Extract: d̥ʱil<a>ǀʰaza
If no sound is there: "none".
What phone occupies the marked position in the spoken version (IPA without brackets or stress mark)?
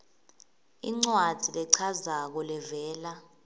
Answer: ɛ